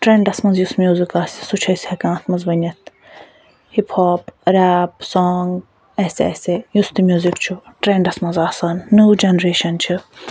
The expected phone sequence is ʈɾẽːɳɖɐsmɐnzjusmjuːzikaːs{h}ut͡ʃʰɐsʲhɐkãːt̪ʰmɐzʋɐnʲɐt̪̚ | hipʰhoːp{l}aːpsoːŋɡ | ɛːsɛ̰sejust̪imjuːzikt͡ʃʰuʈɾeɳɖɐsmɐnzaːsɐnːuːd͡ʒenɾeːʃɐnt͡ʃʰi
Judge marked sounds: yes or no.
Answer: no, no

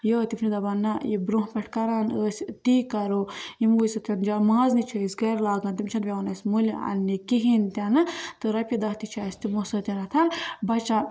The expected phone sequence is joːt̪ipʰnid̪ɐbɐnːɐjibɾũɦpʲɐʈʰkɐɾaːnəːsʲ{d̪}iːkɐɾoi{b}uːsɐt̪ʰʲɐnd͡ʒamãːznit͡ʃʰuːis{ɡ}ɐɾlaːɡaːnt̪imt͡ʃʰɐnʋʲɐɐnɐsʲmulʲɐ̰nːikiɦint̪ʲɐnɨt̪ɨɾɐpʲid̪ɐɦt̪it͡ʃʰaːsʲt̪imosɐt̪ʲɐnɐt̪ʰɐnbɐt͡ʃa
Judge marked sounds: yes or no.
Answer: no, no, yes

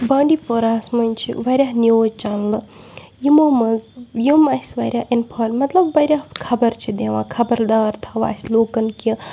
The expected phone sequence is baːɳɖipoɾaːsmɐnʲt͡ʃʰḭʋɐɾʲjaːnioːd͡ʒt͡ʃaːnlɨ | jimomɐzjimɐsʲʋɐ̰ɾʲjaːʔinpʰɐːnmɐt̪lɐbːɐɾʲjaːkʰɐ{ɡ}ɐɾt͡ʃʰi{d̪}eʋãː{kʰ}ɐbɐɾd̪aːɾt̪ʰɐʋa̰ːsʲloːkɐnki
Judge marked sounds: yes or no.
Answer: no, yes, yes

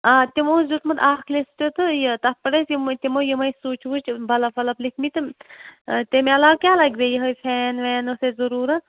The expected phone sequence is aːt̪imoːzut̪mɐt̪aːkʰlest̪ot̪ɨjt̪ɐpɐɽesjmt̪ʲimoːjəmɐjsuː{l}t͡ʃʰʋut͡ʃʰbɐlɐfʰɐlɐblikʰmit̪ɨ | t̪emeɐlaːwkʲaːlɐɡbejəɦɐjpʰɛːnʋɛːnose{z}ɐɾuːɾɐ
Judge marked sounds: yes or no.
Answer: no, yes

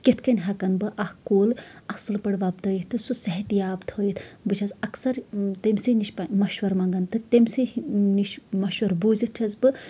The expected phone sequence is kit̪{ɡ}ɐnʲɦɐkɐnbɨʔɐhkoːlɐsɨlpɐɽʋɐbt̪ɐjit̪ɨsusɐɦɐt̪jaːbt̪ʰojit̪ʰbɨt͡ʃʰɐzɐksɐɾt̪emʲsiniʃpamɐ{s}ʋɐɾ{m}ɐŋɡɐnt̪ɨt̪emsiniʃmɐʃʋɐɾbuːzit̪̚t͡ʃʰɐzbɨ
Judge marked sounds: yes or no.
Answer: no, no, yes

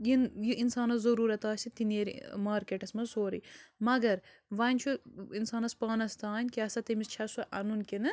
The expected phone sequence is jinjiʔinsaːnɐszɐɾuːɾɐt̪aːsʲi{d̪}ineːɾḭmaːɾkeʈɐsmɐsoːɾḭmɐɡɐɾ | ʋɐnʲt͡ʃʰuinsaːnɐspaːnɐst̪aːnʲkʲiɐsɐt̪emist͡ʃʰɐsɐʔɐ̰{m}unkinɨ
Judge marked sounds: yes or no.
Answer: no, no

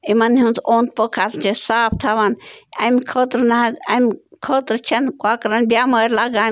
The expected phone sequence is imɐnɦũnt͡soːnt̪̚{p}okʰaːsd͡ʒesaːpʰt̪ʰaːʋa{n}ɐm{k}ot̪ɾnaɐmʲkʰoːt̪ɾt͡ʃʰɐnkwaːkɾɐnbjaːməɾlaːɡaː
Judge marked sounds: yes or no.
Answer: yes, yes, no

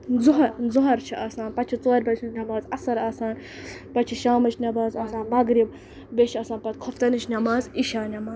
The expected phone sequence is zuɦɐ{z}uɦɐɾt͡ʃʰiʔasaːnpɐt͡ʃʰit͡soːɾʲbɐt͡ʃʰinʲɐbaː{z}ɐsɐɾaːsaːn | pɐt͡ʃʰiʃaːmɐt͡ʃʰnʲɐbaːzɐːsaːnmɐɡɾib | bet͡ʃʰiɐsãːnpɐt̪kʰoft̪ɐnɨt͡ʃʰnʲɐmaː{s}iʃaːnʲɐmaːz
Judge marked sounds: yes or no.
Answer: yes, yes, no

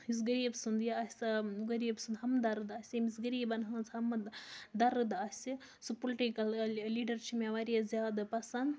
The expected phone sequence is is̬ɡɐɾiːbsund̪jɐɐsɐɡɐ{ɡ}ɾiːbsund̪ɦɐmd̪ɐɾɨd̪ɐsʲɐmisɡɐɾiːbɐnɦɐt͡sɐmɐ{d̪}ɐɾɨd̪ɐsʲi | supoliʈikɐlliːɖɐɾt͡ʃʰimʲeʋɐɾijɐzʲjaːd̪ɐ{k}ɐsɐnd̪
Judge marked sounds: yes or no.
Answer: no, yes, no

